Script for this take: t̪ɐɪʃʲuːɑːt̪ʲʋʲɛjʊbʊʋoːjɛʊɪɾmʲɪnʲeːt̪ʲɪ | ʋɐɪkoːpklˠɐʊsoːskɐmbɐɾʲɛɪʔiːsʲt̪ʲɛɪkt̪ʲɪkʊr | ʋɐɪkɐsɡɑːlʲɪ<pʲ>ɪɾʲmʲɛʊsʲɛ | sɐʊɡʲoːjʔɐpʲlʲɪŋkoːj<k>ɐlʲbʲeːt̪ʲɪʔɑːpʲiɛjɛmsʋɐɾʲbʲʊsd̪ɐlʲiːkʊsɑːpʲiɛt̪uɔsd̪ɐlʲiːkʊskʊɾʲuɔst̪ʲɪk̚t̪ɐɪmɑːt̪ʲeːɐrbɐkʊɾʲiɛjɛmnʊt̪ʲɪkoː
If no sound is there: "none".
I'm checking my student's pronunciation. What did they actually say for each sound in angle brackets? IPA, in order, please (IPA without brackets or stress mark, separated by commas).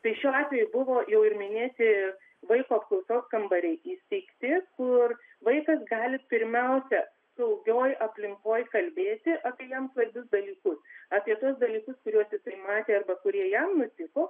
pʲ, k